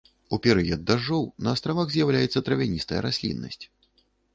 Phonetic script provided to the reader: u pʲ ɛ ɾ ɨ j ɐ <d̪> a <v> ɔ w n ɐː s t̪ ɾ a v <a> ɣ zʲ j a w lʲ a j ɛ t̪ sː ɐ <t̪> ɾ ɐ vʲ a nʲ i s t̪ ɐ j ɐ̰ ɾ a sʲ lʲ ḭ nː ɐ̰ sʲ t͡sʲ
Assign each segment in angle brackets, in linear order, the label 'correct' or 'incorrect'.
incorrect, incorrect, correct, correct

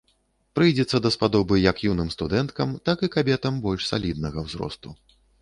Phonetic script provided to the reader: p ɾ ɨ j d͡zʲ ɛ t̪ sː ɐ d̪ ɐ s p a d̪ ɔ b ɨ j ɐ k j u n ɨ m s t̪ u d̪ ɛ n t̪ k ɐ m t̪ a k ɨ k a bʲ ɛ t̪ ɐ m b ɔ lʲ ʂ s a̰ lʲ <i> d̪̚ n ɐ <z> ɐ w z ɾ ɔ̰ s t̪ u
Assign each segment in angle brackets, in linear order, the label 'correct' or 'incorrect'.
correct, incorrect

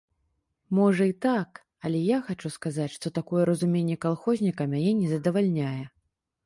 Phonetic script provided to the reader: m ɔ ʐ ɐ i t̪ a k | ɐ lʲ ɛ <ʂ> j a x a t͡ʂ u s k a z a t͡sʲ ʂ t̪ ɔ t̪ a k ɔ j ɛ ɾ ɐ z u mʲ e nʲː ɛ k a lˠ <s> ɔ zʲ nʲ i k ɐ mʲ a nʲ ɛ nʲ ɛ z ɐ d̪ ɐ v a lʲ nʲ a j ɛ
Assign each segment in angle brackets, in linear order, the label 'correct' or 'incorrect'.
incorrect, incorrect

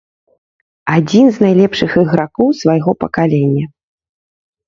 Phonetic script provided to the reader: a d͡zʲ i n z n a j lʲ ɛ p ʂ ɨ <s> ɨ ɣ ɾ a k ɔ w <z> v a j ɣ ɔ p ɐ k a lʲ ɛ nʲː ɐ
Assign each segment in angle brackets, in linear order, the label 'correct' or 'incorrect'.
incorrect, incorrect

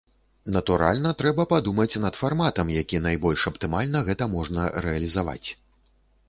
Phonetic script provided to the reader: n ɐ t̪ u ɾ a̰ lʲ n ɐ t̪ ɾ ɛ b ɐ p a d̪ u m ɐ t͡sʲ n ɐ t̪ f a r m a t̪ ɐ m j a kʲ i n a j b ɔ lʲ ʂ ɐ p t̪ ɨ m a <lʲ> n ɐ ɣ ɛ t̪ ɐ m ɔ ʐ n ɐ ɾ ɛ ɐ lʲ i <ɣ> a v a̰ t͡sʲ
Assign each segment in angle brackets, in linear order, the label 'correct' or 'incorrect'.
correct, incorrect

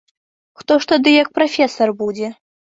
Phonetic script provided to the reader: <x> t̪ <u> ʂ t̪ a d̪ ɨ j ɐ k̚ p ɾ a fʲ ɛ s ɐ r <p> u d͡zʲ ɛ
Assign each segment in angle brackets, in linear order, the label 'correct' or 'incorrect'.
correct, incorrect, incorrect

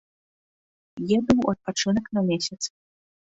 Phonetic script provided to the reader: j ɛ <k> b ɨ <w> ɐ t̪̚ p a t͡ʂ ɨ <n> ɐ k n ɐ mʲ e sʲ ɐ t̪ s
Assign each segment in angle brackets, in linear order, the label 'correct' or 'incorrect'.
incorrect, correct, correct

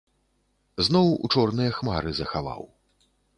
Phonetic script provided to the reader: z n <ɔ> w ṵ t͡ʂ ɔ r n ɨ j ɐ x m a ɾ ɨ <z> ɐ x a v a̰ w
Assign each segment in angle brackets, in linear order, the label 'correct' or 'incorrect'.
correct, correct

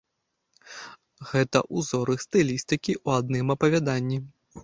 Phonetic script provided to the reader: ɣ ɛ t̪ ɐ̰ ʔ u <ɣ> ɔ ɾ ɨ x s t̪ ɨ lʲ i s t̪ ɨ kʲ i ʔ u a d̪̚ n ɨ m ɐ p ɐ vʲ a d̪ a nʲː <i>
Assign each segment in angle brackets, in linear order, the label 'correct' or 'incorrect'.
incorrect, correct

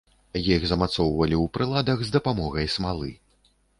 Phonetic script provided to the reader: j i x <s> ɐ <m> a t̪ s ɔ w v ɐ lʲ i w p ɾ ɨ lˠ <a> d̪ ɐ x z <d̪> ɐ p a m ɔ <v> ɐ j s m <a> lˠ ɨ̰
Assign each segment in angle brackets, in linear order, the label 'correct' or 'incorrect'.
incorrect, correct, correct, correct, incorrect, correct

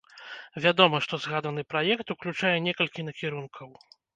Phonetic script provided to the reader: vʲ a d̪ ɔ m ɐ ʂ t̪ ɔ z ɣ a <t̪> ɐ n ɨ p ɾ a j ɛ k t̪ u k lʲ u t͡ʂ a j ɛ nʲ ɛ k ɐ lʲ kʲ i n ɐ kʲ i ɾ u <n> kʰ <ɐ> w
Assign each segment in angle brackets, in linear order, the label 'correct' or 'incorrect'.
incorrect, correct, correct

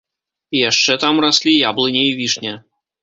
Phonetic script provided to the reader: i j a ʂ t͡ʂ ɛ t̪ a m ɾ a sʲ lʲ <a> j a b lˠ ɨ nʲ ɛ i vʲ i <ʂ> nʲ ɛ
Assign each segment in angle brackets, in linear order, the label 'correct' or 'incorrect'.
incorrect, correct

